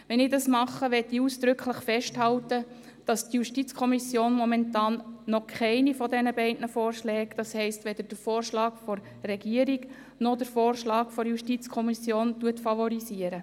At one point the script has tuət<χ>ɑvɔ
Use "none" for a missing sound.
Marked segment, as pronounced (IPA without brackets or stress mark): f